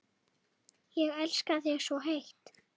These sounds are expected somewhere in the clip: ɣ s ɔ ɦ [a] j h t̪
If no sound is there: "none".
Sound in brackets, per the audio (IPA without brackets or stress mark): e